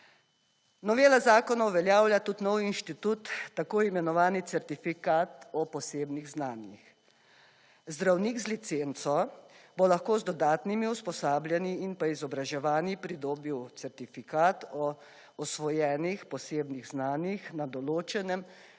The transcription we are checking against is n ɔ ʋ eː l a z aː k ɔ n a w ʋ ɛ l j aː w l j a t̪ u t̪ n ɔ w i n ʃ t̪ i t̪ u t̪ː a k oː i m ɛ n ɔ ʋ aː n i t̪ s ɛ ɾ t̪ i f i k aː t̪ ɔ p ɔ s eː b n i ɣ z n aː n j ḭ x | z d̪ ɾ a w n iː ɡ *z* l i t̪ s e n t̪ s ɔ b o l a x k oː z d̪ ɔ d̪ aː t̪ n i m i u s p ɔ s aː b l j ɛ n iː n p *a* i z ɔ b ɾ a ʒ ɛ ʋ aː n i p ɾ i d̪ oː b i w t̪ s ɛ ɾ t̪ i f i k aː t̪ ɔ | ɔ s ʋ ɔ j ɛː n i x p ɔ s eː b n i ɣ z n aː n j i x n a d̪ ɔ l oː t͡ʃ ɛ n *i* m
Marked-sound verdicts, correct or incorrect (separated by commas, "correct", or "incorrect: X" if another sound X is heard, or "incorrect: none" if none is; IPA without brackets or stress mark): correct, correct, incorrect: ɛ